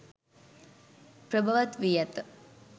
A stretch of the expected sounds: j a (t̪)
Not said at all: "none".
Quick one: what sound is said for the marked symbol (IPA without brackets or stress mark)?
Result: t̪